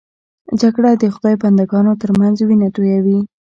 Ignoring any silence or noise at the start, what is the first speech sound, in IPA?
d͡ʒ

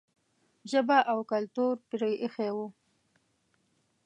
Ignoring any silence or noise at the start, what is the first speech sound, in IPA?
ʒ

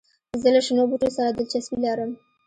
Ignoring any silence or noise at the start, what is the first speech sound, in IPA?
z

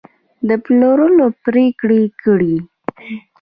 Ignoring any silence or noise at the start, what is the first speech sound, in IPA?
d̪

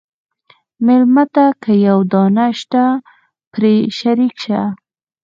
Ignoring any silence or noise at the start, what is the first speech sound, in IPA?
m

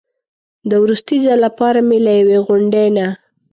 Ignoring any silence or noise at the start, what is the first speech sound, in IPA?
d̪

